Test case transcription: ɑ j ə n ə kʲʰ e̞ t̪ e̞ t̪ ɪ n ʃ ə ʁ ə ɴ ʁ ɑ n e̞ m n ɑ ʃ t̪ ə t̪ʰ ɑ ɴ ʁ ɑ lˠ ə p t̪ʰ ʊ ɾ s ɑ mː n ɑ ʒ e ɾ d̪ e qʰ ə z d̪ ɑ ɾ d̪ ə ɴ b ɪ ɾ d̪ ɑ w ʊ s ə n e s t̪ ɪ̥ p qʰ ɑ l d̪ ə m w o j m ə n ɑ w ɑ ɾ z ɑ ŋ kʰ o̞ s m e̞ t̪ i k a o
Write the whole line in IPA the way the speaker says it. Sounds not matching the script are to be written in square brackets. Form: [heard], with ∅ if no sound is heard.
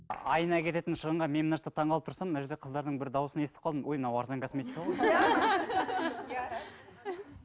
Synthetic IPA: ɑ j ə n [ɑ] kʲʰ e̞ t̪ e̞ t̪ ɪ n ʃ ə ʁ ə ɴ ʁ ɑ [m] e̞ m n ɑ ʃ t̪ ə t̪ʰ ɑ ɴ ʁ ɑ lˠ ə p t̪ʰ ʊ ɾ s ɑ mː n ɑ ʒ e ɾ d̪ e qʰ ə z d̪ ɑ ɾ d̪ ə ɴ b ɪ ɾ d̪ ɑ w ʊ s ə n e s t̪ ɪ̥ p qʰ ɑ l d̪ ə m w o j m ə n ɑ w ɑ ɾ z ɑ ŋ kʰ o̞ s m e̞ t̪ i k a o

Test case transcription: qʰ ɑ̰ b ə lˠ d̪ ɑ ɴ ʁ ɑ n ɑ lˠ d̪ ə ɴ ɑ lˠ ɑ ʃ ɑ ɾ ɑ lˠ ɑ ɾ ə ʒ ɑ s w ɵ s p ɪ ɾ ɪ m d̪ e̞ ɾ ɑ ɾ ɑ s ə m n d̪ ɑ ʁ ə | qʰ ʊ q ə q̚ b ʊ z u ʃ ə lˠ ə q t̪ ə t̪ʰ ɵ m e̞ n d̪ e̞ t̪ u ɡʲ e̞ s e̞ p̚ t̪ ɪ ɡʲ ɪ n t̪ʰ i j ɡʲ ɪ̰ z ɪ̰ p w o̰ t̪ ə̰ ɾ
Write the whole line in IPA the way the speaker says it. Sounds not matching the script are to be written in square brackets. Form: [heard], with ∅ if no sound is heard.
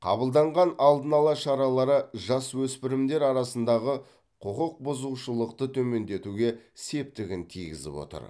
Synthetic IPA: qʰ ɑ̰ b ə lˠ d̪ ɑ ɴ ʁ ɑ n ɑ lˠ d̪ ə [n] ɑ lˠ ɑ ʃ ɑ ɾ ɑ lˠ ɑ ɾ ə ʒ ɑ s w ɵ s p ɪ ɾ ɪ m d̪ e̞ ɾ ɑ ɾ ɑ s ə [∅] n d̪ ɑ ʁ ə | qʰ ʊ q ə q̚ b ʊ z u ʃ ə lˠ ə q t̪ ə t̪ʰ ɵ m e̞ n d̪ e̞ t̪ u ɡʲ e̞ s e̞ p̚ t̪ ɪ ɡʲ ɪ n t̪ʰ i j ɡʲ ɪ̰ z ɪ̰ p w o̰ t̪ ə̰ ɾ

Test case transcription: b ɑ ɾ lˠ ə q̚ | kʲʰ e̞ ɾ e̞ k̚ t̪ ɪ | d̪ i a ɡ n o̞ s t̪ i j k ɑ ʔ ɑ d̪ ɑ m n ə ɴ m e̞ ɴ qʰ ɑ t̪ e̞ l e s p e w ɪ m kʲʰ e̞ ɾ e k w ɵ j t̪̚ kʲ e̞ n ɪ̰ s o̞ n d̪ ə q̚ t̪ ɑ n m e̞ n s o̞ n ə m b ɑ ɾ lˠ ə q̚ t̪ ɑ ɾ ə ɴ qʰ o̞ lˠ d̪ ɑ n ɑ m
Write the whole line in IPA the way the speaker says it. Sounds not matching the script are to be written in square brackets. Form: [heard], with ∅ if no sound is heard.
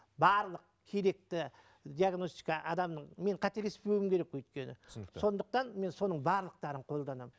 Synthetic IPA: b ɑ ɾ lˠ ə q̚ | kʲʰ e̞ ɾ e̞ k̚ t̪ ɪ | d̪ i a ɡ n o̞ s t̪ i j k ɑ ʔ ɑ d̪ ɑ m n ə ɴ m e̞ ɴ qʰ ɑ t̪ e̞ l e s p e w ɪ m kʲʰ e̞ ɾ e k w ɵ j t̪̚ kʲ e̞ n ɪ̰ s o̞ n d̪ ə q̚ t̪ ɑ n m e̞ n s o̞ n ə [ɴ] b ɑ ɾ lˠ ə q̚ t̪ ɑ ɾ ə ɴ qʰ o̞ lˠ d̪ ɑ n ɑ m

